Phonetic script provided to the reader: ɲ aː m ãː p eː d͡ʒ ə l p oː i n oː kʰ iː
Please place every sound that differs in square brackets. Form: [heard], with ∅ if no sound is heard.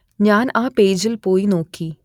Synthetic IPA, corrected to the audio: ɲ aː [n] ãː p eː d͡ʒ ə l p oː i n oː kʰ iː